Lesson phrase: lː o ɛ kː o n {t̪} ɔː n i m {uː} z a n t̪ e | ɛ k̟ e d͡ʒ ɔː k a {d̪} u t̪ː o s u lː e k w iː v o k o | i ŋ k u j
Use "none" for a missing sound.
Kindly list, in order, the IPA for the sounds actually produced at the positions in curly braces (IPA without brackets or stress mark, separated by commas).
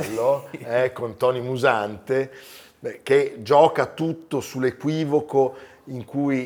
t̪, u, t̪